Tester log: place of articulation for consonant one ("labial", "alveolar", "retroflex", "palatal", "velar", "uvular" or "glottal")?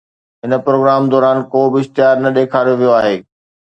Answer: glottal